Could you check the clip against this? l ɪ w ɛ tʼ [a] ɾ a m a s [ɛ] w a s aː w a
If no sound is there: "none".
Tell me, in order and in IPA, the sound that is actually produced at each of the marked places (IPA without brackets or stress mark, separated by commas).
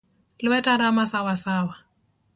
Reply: a, a